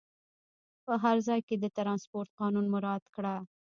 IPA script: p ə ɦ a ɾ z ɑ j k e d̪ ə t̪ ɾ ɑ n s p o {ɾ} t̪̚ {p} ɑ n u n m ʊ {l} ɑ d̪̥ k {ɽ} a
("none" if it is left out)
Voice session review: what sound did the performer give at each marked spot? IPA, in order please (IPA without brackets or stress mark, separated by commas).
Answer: ɾ, q, ɾ, ɽ